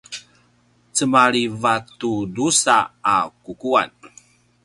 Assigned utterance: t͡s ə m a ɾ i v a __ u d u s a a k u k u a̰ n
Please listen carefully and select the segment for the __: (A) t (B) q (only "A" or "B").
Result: A